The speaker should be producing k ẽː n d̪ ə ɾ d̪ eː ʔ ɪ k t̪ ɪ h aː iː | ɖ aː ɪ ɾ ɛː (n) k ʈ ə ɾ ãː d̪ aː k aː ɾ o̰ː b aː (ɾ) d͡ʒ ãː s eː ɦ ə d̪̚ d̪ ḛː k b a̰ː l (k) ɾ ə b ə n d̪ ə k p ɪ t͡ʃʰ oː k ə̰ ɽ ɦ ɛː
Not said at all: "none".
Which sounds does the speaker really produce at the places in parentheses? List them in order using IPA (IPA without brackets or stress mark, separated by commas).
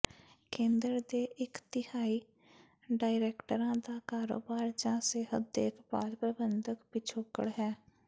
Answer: none, ɾ, p